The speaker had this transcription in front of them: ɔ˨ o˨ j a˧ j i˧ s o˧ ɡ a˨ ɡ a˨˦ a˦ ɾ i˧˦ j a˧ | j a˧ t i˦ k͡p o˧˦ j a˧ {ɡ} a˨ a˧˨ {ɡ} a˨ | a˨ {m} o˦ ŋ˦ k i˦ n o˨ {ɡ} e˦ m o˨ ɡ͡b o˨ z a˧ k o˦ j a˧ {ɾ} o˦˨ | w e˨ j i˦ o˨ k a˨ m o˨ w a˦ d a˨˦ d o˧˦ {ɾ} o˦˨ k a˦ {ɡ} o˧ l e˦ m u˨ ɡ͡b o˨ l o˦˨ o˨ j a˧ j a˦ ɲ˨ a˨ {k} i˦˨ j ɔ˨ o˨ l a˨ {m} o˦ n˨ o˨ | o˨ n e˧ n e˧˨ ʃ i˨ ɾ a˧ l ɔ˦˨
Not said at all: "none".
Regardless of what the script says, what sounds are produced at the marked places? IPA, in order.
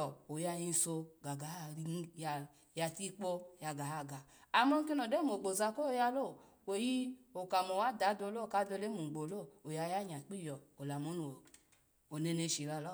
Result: ɡ, ɡ, m, d, l, l, d, k͡p, m

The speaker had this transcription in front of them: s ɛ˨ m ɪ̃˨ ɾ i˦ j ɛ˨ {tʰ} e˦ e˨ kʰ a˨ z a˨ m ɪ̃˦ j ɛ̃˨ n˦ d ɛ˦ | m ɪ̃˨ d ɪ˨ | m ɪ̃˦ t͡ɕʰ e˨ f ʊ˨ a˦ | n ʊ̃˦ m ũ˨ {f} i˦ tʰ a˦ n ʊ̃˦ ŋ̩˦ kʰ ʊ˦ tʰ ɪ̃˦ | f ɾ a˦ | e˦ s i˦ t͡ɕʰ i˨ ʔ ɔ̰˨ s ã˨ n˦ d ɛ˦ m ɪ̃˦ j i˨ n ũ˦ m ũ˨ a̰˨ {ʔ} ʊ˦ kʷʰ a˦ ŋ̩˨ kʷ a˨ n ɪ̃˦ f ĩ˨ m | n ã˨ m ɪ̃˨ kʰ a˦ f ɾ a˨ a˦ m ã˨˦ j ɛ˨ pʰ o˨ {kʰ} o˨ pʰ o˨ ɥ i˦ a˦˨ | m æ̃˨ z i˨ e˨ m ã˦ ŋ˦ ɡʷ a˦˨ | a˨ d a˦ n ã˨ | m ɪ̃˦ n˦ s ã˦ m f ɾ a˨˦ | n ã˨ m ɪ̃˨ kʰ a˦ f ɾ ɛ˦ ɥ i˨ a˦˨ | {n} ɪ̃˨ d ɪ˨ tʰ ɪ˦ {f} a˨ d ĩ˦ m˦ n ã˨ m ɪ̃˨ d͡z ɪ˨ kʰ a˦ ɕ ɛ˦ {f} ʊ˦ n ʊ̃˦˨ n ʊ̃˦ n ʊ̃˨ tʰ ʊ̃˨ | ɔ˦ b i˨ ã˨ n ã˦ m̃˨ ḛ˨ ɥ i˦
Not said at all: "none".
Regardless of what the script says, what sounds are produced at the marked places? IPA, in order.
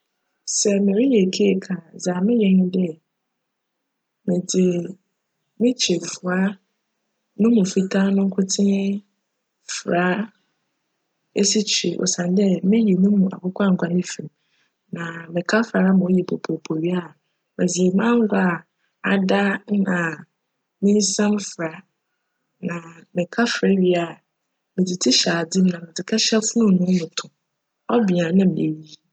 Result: kʰ, f, k, pʰ, m, ɕ, f

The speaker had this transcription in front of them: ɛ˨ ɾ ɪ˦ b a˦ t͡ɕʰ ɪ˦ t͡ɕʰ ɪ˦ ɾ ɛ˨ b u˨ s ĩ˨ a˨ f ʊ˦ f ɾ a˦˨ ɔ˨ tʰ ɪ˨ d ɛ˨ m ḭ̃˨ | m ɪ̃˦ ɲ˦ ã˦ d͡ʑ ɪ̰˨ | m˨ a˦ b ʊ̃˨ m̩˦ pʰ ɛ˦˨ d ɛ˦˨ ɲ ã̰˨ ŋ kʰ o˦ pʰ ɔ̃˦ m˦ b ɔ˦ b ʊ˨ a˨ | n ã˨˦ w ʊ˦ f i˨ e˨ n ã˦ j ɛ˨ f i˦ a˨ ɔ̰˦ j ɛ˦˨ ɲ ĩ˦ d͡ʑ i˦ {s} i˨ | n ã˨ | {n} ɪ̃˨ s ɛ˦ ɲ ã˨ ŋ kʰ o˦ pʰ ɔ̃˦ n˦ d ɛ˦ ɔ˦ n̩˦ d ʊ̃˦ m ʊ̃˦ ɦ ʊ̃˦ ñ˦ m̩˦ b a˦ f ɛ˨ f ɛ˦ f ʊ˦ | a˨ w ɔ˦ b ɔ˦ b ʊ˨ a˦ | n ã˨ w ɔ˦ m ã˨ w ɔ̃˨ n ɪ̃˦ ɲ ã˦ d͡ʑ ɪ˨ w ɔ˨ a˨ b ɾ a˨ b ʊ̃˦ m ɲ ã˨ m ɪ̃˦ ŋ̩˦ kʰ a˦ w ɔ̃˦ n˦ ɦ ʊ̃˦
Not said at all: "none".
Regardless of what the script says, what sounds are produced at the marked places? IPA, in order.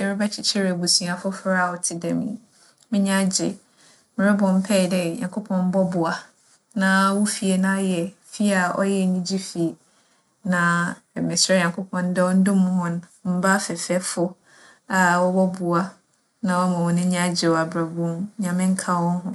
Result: f, m

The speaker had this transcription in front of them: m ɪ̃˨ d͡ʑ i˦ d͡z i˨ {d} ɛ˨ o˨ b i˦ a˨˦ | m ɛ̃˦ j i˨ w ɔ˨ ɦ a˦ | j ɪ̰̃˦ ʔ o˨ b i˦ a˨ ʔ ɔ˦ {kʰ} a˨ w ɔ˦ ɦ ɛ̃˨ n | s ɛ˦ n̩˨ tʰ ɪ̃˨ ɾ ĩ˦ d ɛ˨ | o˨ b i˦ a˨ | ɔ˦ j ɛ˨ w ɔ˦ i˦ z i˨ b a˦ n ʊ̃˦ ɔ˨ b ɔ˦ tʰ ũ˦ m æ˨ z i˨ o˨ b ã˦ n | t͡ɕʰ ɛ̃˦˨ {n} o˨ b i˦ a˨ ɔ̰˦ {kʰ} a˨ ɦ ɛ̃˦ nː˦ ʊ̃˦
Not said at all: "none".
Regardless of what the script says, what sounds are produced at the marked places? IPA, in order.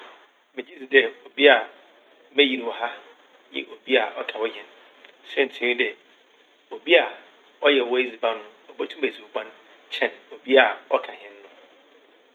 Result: d, kʰ, n, kʰ

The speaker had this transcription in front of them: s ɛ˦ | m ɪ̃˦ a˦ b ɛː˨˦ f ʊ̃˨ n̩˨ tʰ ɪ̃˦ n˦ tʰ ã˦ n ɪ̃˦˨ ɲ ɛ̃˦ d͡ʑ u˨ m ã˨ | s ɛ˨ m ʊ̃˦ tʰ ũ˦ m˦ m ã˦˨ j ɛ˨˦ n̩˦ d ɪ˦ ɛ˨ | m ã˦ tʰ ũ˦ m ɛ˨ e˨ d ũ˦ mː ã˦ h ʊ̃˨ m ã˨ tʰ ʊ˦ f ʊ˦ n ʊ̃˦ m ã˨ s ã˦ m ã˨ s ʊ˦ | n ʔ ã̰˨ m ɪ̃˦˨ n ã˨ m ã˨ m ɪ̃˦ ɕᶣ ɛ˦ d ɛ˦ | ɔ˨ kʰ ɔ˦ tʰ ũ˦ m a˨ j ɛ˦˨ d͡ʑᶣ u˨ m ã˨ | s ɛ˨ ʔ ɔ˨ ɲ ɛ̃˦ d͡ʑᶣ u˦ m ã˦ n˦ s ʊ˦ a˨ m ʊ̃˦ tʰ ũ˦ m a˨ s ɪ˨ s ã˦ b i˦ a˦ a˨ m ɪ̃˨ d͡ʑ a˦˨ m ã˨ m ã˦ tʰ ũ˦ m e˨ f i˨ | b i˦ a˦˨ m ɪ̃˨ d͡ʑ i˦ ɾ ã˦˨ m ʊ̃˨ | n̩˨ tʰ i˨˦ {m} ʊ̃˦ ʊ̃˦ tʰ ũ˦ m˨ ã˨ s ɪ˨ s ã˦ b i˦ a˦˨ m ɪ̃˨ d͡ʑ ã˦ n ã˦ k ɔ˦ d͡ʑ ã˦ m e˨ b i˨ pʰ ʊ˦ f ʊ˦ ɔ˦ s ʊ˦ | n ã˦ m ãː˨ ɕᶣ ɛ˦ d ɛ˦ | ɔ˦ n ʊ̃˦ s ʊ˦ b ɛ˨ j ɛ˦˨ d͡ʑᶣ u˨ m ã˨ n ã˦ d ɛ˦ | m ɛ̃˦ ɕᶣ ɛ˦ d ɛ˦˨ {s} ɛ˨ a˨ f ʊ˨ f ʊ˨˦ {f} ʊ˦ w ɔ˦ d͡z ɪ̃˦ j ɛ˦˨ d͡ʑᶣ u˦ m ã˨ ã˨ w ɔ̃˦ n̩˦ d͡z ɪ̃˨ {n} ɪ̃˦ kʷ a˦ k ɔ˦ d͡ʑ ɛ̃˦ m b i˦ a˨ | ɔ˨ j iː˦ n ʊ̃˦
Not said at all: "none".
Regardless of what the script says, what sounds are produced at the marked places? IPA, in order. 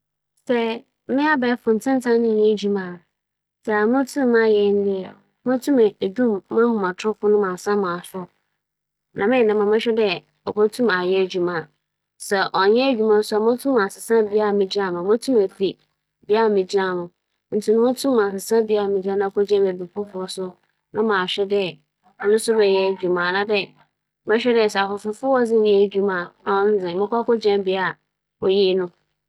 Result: n, s, f, m

